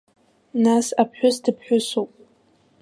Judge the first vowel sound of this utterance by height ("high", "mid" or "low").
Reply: low